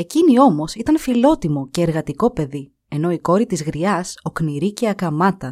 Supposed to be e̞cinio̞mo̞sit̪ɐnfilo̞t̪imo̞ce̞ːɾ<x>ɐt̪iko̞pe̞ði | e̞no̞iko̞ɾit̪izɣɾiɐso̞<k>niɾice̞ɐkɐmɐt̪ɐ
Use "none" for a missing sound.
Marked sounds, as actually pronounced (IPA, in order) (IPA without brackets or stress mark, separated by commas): ɣ, k